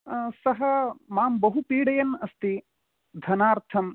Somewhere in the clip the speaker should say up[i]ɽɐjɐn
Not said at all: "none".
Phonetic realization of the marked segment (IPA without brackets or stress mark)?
iː